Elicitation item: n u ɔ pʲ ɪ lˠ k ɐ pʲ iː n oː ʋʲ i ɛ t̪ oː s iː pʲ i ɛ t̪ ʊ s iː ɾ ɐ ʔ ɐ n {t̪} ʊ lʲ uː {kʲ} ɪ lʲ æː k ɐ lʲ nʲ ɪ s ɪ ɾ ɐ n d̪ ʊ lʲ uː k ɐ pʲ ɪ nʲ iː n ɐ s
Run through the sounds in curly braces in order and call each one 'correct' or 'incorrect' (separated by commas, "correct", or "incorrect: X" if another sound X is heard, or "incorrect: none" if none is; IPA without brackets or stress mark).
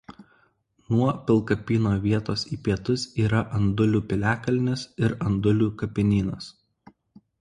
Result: incorrect: d̪, incorrect: pʲ